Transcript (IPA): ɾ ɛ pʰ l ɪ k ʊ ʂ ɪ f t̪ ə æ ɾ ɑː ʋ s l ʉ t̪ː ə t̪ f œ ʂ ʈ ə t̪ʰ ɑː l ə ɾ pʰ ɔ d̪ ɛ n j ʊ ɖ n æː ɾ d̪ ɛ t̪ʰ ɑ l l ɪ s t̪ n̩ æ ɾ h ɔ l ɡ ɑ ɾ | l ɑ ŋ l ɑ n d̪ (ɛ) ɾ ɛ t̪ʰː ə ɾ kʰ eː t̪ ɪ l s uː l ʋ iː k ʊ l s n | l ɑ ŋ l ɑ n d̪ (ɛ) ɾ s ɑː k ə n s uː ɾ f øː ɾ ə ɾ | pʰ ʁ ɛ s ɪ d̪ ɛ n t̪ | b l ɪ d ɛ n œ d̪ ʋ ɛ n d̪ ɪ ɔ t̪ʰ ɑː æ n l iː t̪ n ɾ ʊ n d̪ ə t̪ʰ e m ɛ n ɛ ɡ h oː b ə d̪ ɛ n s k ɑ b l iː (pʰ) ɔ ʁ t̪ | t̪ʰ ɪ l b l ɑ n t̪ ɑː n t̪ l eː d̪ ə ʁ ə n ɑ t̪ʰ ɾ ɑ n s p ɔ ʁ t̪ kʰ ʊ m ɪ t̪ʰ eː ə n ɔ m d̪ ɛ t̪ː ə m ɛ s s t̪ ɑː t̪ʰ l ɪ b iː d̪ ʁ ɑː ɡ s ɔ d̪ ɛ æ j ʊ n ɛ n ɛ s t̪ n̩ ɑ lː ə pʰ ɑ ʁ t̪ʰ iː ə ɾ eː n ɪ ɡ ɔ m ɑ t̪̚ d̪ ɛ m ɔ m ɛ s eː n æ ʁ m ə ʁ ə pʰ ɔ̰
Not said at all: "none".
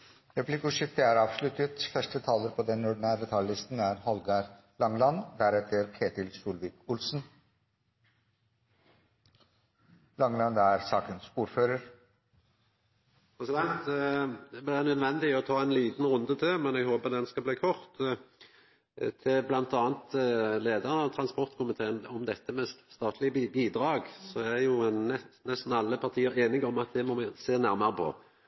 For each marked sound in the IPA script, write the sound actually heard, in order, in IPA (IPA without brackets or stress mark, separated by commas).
æ, æ, kʰ